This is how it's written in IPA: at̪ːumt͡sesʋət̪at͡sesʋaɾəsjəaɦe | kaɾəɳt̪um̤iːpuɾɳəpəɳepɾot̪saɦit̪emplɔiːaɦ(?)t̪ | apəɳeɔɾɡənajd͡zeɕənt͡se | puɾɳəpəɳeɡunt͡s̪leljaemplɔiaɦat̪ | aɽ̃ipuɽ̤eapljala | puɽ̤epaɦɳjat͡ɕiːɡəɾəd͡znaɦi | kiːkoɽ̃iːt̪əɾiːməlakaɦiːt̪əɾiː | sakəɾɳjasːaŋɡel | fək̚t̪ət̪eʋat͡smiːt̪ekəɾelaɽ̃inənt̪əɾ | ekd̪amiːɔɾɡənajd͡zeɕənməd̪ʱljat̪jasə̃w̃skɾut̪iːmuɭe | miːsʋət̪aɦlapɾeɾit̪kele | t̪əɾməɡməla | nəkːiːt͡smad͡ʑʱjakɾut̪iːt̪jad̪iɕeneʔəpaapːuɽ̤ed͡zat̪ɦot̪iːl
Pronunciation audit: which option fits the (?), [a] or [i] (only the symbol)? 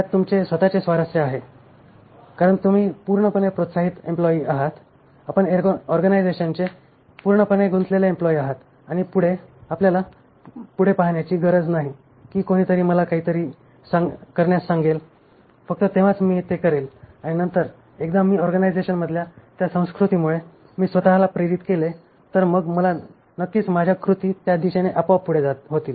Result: a